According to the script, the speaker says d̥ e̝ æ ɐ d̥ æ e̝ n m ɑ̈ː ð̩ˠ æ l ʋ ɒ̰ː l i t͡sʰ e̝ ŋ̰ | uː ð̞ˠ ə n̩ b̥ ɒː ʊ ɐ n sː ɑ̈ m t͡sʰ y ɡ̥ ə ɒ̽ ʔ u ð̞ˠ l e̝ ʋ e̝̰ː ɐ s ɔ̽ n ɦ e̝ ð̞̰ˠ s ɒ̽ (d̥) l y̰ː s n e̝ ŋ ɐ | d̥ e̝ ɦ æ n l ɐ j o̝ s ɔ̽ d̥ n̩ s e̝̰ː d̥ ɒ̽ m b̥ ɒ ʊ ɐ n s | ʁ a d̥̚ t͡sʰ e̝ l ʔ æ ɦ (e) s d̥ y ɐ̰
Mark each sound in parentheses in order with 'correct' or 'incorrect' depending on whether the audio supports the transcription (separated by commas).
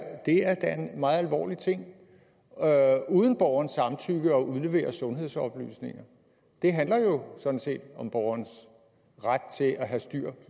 incorrect, incorrect